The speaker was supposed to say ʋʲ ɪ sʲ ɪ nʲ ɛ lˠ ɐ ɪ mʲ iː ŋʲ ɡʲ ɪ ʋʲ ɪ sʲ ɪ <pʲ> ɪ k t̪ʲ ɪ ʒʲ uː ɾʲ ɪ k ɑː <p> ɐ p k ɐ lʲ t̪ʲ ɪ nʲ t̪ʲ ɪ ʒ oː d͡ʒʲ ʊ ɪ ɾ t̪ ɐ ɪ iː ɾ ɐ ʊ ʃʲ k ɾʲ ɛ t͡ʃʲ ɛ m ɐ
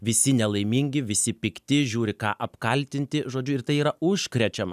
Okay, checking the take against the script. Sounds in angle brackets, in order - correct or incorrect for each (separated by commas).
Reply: correct, incorrect